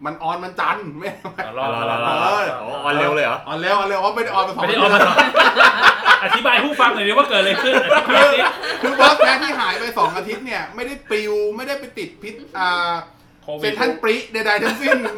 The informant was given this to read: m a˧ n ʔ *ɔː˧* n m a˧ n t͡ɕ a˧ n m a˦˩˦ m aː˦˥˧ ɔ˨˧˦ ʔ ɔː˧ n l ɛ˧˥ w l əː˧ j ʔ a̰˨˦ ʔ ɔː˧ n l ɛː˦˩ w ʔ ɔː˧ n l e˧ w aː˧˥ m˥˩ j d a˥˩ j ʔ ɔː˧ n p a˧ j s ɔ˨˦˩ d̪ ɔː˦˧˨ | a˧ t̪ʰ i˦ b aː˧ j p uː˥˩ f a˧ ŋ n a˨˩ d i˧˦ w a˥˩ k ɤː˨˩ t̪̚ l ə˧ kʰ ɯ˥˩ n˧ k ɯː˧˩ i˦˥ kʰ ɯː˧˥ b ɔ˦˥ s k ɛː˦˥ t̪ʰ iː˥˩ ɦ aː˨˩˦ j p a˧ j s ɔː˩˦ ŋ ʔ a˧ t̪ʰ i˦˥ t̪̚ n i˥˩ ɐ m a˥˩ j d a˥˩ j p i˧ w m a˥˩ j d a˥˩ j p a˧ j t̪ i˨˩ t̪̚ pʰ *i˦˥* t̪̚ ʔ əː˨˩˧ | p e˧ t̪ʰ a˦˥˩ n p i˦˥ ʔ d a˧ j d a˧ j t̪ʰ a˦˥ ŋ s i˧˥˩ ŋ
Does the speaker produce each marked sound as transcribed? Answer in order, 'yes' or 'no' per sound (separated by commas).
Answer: yes, yes